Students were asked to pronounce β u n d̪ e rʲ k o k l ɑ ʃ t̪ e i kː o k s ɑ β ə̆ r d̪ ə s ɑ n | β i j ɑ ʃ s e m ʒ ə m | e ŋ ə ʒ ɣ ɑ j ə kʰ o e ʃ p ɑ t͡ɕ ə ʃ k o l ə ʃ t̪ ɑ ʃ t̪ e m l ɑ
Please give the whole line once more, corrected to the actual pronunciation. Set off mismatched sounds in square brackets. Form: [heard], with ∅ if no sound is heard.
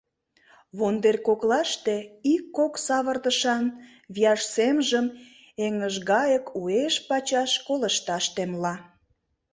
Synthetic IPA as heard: β [o] n d̪ e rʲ k o k l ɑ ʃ t̪ e i kː o k s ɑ β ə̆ r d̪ ə [ʃ] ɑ n | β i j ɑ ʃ s e m ʒ ə m | e ŋ ə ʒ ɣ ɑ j ə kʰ [u] e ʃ p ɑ t͡ɕ [ɑ] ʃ k o l ə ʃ t̪ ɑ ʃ t̪ e m l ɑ